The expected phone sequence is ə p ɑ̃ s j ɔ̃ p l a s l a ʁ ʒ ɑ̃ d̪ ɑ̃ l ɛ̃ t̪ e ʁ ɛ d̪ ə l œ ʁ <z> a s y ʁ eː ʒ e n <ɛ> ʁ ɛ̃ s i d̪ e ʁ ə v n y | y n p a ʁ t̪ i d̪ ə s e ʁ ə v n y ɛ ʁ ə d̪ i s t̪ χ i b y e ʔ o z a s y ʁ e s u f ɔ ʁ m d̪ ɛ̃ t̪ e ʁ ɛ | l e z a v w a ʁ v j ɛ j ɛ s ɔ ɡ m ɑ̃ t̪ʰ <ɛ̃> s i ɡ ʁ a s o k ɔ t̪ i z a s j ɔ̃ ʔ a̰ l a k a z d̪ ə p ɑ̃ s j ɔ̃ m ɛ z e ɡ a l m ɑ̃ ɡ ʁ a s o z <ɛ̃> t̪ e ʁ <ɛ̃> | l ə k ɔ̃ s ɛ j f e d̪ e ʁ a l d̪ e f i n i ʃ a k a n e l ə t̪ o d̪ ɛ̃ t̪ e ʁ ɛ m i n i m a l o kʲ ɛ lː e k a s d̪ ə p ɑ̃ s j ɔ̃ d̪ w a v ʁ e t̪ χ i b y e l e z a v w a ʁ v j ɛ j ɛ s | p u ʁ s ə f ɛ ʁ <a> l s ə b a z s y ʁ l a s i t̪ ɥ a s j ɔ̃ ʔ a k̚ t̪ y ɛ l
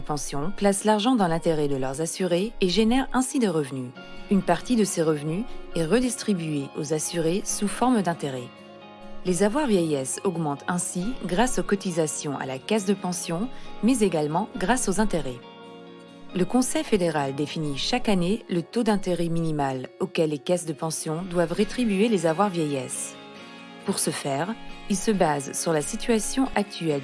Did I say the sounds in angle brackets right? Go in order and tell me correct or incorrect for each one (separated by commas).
correct, correct, correct, correct, incorrect, incorrect